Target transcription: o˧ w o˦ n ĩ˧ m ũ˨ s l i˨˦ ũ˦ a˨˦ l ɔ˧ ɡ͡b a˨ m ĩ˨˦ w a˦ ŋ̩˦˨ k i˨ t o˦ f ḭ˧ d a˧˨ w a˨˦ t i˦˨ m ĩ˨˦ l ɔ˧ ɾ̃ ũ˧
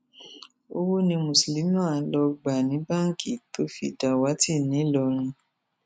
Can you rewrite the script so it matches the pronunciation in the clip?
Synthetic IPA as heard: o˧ w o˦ n ĩ˧ m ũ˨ s l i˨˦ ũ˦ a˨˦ l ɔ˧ ɡ͡b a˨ n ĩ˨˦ b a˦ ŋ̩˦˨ k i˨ t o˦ f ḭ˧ d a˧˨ w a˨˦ t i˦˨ n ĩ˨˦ l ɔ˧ ɾ̃ ũ˧

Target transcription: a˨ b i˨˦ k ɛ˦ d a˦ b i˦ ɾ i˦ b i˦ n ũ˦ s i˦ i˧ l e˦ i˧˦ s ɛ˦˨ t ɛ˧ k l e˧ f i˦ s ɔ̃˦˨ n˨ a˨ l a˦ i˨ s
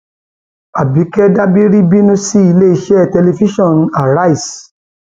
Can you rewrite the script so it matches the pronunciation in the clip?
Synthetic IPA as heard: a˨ b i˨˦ k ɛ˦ d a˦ b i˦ ɾ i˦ b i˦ n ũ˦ s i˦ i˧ l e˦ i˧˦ ʃ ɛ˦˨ t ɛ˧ l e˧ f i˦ ʃ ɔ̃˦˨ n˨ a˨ ɾ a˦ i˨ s

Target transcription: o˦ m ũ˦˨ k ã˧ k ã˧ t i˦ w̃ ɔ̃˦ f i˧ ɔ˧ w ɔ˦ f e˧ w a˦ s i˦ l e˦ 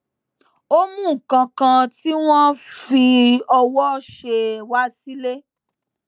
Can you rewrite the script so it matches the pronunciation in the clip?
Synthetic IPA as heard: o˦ m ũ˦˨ k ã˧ k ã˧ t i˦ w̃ ɔ̃˦ f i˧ ɔ˧ w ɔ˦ ʃ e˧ w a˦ s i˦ l e˦

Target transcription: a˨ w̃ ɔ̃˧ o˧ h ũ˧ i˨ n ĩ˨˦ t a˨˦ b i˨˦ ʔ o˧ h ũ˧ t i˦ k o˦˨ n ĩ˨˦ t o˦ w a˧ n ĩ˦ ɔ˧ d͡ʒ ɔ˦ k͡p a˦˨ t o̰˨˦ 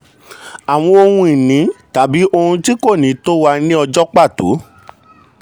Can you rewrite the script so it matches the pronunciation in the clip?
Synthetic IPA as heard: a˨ w̃ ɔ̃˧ o˧ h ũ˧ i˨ n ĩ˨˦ t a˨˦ b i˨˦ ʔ o˧ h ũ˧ t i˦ k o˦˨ n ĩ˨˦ t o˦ w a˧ n ĩ˦ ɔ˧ d͡ʒ ɔ˦ k͡p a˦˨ t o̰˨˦

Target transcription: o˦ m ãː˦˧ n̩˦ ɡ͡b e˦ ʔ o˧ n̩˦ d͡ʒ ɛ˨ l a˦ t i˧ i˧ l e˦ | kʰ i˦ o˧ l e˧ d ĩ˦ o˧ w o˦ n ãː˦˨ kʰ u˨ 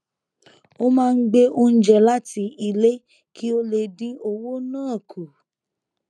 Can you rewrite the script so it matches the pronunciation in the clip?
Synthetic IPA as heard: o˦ m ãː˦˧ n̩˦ ɡ͡b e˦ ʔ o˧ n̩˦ d͡ʒ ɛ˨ l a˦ t i˧ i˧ l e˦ | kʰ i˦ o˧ l e˧ d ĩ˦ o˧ w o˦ n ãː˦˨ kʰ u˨

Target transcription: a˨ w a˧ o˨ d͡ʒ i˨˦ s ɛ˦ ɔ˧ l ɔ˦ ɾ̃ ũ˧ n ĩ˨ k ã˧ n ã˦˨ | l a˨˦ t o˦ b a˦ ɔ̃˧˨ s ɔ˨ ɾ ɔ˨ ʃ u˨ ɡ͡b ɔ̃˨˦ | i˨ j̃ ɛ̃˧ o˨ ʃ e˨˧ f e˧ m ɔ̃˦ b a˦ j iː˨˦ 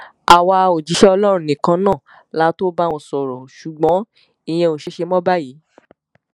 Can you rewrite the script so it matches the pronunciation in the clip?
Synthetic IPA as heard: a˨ w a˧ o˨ d͡ʒ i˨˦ ʃ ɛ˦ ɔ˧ l ɔ˦ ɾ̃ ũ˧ n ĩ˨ k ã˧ n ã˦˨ | l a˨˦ t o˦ b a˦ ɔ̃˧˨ s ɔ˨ ɾ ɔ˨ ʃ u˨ ɡ͡b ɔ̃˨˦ | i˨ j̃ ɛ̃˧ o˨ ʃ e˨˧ ʃ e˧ m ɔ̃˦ b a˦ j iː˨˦

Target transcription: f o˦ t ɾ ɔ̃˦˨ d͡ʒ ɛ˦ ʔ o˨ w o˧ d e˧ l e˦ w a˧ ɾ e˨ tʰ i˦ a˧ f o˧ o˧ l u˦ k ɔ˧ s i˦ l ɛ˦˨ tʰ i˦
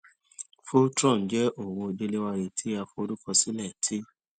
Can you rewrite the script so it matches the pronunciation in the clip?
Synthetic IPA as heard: f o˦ t ɾ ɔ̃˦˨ d͡ʒ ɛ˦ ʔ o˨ w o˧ d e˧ l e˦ w a˧ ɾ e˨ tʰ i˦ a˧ f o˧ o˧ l u˦ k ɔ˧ s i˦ l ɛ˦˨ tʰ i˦

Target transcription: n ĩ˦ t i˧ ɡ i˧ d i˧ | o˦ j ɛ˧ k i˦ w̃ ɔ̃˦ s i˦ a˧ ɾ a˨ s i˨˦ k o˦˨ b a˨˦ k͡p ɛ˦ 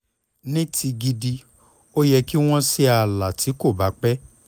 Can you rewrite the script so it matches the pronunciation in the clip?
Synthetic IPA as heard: n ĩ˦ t i˧ ɡ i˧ d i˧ | o˦ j ɛ˧ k i˦ w̃ ɔ̃˦ s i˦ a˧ l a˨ t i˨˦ k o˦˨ b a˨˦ k͡p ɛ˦

